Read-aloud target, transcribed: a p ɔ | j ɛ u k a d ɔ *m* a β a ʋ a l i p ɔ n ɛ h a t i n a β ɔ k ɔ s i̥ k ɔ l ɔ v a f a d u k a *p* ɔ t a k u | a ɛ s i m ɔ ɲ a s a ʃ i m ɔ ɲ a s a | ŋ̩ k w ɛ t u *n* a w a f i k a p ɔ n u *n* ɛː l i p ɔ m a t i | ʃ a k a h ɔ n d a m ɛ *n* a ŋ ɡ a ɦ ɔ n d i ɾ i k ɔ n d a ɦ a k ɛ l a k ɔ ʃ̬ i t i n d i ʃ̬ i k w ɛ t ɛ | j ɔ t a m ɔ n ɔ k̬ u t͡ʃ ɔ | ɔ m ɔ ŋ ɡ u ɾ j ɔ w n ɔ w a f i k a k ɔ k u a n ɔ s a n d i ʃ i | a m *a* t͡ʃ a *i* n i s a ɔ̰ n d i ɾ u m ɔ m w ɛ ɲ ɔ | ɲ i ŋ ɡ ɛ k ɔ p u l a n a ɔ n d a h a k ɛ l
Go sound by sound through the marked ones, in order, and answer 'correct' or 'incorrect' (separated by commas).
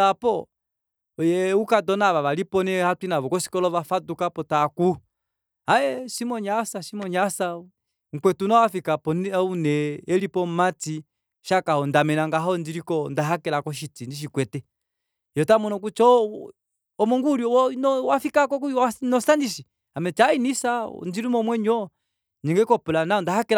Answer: incorrect, correct, correct, correct, correct, incorrect, correct